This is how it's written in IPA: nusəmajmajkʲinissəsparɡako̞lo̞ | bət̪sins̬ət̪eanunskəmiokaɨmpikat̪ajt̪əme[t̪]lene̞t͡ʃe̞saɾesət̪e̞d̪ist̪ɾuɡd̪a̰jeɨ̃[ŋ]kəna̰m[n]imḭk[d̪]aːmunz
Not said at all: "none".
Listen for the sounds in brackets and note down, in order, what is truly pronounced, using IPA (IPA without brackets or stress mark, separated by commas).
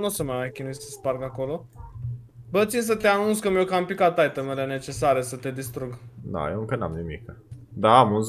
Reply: none, ŋ, n, d̪